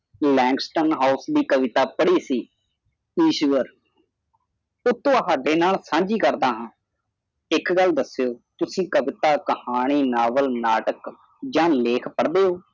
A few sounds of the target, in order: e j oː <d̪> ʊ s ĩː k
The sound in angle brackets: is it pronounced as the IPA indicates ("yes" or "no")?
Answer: no